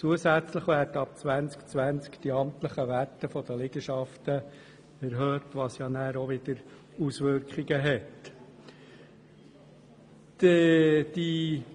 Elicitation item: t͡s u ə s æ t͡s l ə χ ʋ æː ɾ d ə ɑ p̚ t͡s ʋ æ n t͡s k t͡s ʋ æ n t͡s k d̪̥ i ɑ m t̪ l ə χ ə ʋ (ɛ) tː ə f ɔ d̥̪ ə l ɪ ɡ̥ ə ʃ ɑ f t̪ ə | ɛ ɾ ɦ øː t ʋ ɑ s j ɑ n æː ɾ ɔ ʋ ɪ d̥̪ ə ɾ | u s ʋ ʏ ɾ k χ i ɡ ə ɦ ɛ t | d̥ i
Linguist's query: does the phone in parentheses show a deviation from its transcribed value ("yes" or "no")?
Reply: yes